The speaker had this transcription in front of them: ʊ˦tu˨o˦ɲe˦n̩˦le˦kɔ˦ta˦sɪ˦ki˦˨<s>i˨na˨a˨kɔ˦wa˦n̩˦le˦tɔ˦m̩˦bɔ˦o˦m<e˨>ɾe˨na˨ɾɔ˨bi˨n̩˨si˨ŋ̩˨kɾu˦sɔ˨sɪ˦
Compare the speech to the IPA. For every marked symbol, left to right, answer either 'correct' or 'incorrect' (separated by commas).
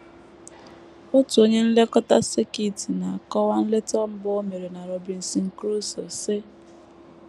incorrect, correct